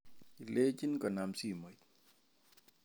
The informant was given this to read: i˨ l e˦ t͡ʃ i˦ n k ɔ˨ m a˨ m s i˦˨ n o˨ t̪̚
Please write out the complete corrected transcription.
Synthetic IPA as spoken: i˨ l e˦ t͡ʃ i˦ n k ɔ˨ n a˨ m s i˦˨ m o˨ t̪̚